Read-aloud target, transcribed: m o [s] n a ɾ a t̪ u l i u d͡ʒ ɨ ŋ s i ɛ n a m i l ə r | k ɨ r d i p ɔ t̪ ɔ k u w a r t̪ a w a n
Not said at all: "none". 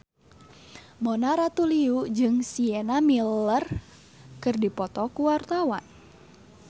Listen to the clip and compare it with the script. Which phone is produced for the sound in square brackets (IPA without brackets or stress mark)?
none